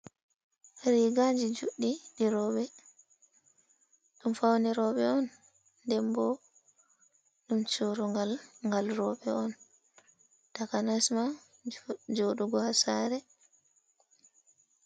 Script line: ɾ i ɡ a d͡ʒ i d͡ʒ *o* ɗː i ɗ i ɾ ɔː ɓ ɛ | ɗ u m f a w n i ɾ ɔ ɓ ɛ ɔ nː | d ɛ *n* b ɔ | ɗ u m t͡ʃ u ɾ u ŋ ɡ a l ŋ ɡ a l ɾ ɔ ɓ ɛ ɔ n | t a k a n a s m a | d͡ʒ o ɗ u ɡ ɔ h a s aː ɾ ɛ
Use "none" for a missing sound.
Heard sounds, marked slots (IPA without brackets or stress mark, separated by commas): u, m